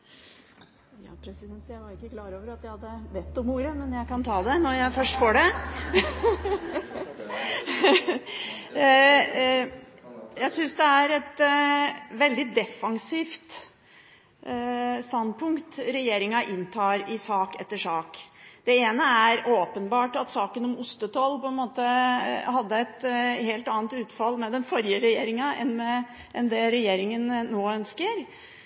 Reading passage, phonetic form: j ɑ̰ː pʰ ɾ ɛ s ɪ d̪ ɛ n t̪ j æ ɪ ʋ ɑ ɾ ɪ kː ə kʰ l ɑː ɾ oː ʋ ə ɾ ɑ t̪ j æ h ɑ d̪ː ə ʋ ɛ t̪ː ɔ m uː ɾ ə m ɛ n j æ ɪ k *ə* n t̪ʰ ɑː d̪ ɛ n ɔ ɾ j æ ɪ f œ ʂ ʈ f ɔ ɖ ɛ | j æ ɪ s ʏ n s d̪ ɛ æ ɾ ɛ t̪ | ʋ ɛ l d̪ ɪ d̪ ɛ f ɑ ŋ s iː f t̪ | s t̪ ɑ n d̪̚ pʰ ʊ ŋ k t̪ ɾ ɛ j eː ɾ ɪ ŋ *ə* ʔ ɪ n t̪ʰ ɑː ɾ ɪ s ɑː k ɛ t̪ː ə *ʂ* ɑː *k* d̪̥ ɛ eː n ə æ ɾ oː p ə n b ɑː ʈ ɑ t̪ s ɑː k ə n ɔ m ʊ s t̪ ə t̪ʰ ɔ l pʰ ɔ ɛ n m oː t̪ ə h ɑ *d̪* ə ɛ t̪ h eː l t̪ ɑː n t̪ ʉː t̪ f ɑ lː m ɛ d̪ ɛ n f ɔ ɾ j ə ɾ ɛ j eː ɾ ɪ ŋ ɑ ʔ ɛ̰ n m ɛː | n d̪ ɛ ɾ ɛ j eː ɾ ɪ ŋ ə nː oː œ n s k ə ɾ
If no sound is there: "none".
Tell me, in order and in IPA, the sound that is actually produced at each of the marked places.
ɑ, ɑ, ʂ, k, d̪ː

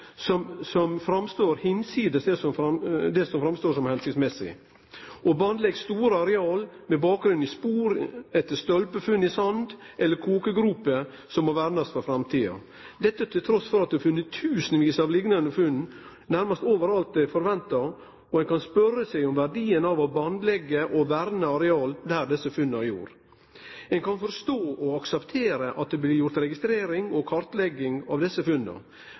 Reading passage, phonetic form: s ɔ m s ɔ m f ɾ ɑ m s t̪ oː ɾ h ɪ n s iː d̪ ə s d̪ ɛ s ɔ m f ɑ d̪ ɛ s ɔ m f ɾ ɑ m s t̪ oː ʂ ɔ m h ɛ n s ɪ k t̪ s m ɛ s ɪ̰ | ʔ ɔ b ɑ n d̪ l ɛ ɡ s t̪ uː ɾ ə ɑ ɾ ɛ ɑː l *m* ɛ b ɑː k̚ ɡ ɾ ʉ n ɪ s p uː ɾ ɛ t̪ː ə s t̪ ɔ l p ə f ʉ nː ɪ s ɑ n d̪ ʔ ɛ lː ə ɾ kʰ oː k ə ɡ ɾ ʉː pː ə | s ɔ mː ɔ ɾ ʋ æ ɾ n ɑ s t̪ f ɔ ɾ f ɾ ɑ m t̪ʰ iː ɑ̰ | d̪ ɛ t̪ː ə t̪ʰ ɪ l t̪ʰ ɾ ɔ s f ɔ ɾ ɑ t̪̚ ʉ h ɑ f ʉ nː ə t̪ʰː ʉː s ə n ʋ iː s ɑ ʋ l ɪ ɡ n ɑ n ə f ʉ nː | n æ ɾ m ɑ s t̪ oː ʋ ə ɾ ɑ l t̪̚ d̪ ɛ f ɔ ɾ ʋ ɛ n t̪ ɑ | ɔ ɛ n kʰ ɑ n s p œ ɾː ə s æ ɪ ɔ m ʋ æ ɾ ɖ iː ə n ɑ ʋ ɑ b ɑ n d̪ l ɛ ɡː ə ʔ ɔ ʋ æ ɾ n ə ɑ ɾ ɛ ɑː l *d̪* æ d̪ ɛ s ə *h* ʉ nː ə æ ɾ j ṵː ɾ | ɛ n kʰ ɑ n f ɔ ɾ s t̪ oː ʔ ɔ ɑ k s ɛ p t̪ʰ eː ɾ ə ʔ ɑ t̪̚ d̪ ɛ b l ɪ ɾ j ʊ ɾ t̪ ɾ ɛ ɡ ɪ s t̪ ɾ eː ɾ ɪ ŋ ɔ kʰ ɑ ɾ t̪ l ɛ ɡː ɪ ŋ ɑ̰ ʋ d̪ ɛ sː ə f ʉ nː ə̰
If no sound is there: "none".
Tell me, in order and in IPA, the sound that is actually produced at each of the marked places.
m, d̪, f

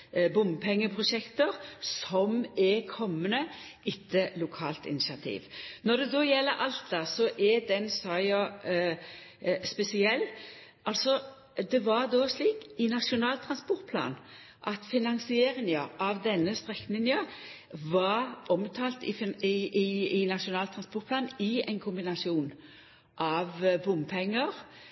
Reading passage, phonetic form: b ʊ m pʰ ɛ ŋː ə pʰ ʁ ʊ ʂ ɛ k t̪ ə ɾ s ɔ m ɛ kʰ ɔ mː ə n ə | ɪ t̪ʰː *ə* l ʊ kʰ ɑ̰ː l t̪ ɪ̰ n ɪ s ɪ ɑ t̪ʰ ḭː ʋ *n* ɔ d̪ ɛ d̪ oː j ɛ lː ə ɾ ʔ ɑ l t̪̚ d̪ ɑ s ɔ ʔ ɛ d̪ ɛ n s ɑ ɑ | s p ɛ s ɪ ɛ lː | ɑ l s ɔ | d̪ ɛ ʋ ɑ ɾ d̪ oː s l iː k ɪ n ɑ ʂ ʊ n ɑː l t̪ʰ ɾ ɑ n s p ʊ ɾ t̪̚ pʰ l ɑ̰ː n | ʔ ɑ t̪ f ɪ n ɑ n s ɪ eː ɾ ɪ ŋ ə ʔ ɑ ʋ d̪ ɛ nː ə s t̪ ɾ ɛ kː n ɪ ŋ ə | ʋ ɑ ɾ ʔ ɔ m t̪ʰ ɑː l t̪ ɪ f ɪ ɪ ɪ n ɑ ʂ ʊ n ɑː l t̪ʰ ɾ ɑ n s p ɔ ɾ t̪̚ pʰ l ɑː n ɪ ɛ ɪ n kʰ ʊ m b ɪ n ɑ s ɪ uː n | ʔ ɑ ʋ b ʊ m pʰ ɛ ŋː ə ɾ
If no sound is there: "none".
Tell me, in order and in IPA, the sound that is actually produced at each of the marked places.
ə, n

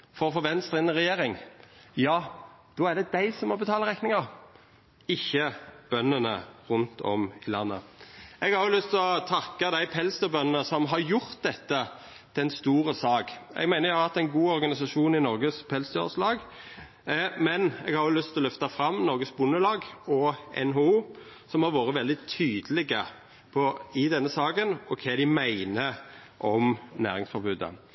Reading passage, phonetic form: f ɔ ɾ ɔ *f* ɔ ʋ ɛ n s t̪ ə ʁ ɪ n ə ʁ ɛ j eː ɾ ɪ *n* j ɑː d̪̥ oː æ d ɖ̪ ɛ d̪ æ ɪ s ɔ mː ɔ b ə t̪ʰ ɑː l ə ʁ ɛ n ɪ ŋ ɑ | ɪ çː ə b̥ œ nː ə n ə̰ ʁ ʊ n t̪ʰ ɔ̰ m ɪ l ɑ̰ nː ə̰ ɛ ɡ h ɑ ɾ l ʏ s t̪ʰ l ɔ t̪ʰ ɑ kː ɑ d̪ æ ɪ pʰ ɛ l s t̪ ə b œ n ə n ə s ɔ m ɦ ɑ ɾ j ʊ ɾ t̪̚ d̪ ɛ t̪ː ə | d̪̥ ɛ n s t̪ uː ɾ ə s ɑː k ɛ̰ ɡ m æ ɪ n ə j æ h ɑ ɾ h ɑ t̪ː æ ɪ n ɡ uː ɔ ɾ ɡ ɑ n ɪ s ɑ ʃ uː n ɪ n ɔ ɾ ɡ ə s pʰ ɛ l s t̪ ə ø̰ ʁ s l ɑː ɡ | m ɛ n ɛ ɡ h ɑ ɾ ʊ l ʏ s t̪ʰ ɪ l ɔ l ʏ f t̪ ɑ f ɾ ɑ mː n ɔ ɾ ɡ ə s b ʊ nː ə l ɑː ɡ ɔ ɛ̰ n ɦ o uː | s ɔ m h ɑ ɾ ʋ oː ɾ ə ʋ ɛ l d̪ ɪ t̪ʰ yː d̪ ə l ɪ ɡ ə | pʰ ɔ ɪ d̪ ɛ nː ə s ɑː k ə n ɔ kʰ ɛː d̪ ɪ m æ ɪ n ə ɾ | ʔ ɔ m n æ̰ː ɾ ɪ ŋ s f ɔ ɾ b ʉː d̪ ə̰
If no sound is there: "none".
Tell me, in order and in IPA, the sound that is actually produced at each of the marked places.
f, ŋ

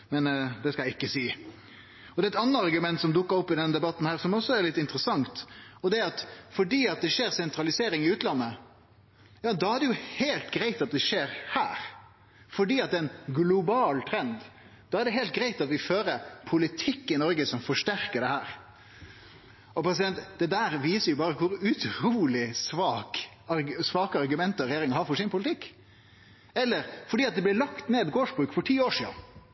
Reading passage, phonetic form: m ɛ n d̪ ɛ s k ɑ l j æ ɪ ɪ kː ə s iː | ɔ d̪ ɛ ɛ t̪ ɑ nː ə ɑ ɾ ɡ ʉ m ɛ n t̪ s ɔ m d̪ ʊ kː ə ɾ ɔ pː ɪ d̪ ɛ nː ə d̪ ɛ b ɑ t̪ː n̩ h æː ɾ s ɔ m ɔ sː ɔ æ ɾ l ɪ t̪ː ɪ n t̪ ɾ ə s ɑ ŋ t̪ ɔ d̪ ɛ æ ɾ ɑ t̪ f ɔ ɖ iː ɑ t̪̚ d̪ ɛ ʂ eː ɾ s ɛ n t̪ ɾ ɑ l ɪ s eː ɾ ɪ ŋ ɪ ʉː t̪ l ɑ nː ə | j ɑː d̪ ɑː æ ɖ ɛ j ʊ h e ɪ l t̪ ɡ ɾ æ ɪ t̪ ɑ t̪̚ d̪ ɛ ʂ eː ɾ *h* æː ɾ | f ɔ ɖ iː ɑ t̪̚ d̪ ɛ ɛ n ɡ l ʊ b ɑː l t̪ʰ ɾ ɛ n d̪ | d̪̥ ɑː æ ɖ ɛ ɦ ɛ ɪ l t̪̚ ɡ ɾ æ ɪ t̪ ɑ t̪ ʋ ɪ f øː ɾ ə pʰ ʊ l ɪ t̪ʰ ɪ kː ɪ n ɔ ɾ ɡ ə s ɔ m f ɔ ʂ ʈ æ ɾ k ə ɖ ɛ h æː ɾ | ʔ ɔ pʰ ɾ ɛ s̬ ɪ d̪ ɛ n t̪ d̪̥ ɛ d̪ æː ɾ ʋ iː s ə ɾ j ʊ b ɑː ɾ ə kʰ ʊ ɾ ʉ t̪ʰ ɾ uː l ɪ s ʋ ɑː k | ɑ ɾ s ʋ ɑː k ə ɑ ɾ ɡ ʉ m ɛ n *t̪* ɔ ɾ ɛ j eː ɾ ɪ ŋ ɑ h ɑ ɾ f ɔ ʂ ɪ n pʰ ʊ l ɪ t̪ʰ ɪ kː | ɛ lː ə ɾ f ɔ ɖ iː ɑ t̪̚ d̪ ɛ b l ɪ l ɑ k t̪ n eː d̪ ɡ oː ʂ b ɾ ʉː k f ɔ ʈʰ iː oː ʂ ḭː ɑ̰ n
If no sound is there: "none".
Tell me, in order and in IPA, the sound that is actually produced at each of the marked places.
h, t̪

